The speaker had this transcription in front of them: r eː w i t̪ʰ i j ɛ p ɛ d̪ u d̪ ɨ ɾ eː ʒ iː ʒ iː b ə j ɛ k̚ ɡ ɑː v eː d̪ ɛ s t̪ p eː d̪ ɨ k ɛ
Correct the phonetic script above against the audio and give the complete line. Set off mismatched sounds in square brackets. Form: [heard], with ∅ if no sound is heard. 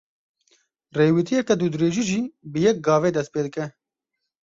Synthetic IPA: r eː w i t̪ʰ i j ɛ [k] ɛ d̪ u d̪ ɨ ɾ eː ʒ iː ʒ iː b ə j ɛ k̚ ɡ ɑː v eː d̪ ɛ s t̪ p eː d̪ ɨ k ɛ